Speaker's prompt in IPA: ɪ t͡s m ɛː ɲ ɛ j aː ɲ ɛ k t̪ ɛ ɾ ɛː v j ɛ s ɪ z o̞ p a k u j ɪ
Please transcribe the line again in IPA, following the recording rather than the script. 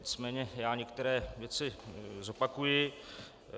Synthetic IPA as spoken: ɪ t͡s m ɛː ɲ ɛ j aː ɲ ɛ k t̪ ɛ ɾ ɛː v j ɛ t͡s ɪ z o̞ p a k u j ɪ